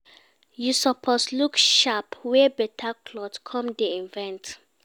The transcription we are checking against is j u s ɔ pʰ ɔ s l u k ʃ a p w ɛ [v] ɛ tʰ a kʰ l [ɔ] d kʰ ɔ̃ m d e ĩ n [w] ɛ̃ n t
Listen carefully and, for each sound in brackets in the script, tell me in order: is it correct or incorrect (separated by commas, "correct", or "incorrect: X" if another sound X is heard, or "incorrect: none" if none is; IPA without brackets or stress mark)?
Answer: incorrect: b, correct, incorrect: v